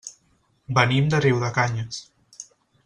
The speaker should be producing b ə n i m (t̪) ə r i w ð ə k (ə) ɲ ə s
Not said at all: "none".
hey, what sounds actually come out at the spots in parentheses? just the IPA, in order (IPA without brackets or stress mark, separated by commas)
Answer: d̪, a